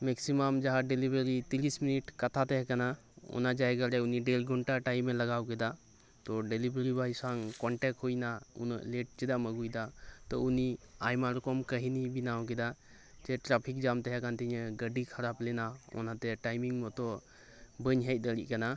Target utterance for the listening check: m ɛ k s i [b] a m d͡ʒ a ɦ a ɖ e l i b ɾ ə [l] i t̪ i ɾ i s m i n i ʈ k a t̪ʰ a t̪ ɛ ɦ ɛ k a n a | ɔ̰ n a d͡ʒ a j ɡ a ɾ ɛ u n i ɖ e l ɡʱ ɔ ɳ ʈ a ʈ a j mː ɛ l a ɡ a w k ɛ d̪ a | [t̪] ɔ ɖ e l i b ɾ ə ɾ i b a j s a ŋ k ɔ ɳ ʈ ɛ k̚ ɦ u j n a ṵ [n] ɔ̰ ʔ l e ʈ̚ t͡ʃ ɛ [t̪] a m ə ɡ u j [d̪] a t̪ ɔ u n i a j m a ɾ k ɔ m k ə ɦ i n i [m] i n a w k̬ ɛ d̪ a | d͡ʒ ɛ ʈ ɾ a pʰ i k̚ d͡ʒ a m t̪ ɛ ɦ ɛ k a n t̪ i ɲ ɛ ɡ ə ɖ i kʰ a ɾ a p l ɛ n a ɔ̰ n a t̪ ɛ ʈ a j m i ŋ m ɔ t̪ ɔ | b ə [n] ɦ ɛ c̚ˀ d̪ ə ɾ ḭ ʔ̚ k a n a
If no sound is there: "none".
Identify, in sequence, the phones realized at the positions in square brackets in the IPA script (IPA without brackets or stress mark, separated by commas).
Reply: m, ɾ, t̪, n, d̪, d̪, b, ɲ